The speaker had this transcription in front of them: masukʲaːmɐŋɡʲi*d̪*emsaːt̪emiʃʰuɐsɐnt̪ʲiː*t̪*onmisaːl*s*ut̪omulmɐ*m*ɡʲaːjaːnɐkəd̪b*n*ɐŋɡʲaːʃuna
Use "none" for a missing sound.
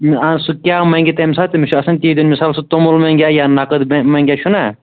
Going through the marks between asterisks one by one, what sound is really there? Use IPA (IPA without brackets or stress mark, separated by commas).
t̪, d̪, s, ŋ, m